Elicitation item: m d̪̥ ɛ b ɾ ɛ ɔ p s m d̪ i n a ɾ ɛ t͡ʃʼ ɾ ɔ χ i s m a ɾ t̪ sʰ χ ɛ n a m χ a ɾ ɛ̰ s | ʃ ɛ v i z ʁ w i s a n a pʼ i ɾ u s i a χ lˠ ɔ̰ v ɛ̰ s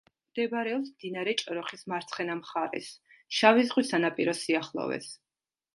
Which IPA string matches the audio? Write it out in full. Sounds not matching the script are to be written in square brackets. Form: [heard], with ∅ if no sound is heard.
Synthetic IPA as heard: m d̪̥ ɛ b ɾ ɛ ɔ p s m d̪ i n a ɾ ɛ t͡ʃʼ ɾ ɔ χ i s m a ɾ t̪ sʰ χ ɛ n a m χ a ɾ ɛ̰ s | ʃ [a] v i z ʁ w i s a n a pʼ i ɾ [ɔ] s i a χ lˠ ɔ̰ v ɛ̰ s